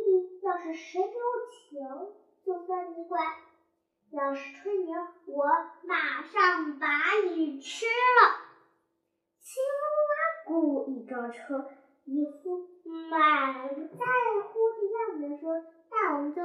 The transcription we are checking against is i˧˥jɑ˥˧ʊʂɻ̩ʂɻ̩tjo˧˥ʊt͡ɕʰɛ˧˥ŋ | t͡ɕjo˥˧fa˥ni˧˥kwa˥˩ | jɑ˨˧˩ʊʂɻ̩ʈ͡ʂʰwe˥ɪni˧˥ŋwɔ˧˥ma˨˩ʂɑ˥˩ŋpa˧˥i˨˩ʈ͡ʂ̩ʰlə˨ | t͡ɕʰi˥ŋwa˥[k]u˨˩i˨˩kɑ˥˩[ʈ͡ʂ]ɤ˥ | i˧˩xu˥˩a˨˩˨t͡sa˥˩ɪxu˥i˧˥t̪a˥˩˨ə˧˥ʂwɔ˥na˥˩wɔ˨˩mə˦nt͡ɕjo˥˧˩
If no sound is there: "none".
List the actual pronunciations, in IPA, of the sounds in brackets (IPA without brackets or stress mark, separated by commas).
k, ʈ͡ʂʰ